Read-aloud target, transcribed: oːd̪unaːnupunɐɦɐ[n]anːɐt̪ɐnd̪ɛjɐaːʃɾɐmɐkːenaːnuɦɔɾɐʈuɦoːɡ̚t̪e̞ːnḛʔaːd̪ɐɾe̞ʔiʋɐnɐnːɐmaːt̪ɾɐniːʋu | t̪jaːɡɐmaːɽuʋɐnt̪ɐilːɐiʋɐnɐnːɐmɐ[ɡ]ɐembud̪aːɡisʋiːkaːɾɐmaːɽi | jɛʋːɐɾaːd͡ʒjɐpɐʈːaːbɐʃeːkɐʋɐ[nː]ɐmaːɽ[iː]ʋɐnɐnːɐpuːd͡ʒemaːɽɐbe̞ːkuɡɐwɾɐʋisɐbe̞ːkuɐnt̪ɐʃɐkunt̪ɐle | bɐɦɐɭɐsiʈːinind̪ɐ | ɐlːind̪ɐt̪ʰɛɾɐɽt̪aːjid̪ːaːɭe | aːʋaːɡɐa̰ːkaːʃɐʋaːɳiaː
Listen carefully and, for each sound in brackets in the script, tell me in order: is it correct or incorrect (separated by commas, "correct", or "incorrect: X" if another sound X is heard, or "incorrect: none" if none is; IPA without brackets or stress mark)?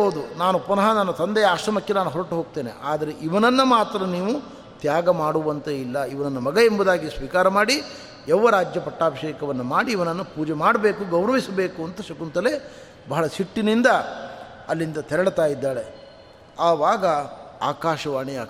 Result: correct, correct, correct, correct